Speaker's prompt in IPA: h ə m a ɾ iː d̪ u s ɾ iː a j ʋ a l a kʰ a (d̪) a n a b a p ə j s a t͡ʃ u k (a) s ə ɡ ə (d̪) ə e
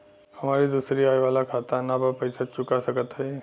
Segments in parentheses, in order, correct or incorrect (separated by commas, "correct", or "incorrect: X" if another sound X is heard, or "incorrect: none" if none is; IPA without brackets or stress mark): incorrect: t̪, correct, incorrect: t̪